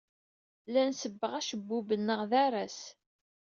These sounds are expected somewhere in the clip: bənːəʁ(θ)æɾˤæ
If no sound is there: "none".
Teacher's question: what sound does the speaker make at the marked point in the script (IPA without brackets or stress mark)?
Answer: ð